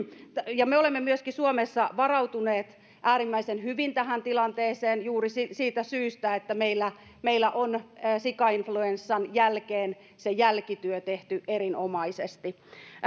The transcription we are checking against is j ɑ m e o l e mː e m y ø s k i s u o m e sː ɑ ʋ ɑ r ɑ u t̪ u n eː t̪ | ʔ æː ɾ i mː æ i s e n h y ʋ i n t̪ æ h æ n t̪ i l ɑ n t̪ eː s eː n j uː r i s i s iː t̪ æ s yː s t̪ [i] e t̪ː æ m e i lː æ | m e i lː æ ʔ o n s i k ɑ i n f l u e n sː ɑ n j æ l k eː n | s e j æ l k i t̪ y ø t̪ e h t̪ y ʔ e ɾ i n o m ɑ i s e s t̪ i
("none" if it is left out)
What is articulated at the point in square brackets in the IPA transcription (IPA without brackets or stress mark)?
æ